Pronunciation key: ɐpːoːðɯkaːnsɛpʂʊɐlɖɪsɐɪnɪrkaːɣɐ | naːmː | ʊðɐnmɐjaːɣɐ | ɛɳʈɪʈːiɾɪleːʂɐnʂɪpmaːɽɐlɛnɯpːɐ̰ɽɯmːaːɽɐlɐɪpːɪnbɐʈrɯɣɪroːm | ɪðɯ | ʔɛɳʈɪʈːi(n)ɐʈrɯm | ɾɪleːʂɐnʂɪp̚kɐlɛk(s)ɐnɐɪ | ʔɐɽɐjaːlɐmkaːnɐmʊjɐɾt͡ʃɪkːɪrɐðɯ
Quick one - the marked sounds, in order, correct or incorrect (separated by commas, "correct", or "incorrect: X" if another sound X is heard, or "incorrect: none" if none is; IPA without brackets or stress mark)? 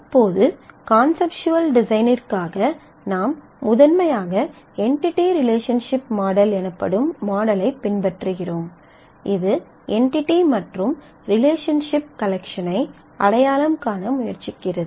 incorrect: m, incorrect: ʂ